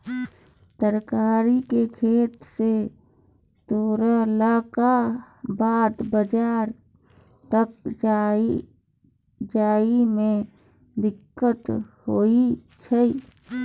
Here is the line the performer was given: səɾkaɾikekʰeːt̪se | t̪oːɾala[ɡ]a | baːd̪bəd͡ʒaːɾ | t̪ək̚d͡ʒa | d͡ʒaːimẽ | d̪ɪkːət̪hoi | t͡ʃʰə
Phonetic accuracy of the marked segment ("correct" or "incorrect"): incorrect